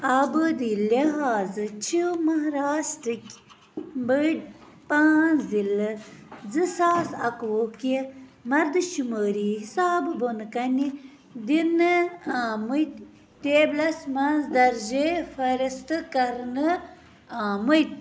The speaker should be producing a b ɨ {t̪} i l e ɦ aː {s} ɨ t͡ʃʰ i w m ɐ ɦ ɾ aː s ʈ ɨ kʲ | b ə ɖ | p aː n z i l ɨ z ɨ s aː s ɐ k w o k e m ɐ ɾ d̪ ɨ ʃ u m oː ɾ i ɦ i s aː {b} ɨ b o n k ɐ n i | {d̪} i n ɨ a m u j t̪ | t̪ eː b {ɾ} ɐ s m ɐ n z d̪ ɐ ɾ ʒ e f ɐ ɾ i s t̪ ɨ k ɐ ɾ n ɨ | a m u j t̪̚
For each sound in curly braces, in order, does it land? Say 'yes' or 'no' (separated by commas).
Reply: no, no, yes, yes, no